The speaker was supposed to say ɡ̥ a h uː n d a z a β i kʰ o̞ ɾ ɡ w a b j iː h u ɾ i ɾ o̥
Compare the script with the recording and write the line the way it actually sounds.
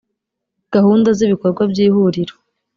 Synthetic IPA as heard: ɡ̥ a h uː n d a z i β i k o̞ ɾ ɡ w a b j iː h u ɾ i ɾ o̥

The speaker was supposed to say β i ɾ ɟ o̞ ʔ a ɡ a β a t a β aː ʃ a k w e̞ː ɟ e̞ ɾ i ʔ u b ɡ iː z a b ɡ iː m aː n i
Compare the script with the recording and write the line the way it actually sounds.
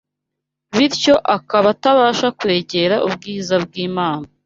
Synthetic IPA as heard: β i ɾ c o̞ ʔ a k a β a t a β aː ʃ a k w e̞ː ɟ e̞ ɾ a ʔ u b ɡ iː z a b ɡ iː m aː n a

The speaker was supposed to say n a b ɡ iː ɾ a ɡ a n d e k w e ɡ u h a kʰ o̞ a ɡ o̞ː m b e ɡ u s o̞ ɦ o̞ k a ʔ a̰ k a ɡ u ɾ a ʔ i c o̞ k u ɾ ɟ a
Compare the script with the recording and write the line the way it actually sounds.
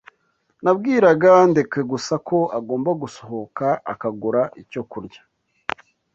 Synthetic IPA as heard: n a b ɡ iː ɾ a ɡ a n d e k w e ɡ u s a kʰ o̞ a ɡ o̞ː m b a ɡ u s o̞ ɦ o̞ k a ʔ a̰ k a ɡ u ɾ a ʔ i c o̞ k u ɾ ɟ a

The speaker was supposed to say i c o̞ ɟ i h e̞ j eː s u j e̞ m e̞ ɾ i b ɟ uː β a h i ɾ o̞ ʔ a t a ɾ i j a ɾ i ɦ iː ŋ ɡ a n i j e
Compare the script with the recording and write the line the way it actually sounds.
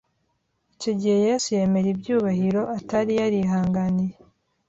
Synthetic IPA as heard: i c o̞ ɟ i h e̞ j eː s u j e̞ m e̞ ɾ i b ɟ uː β a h i ɾ o̞ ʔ a t a ɾ i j a ɾ i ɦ aː ŋ ɡ a n i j e

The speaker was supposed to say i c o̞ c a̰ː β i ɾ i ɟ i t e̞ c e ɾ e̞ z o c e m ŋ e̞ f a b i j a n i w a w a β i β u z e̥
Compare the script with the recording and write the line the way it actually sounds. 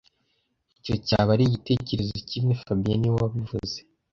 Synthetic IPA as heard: i c o̞ c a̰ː β a ɾ i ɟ i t e̞ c e ɾ e̞ z o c i m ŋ e̞ f a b i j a n i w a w a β i v u z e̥

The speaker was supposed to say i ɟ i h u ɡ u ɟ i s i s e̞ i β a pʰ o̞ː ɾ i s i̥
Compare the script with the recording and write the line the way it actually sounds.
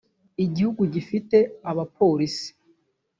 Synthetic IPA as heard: i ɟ i h u ɡ u ɟ i f i t e̞ a β a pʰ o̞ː ɾ i s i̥

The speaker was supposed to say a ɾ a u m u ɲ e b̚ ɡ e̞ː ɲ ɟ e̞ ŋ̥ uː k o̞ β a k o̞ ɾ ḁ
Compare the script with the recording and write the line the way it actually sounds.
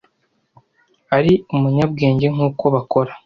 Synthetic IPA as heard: a ɾ i u m u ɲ a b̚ ɡ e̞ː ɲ ɟ e̞ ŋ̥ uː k o̞ β a k o̞ ɾ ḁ

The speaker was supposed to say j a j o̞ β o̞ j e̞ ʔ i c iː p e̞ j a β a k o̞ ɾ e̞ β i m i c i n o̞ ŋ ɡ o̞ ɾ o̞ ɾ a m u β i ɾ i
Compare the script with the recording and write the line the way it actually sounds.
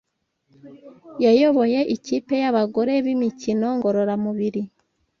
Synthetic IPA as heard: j a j o̞ β o̞ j e̞ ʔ i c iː p e̞ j a β a ɡ o̞ ɾ e̞ β i m i c i n o̞ ŋ ɡ o̞ ɾ o̞ ɾ a m u β i ɾ i

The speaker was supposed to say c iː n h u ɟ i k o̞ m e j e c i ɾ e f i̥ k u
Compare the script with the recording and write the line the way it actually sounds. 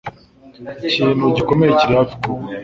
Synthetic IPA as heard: c iː n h u ɟ i k o̞ m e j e c i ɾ a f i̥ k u

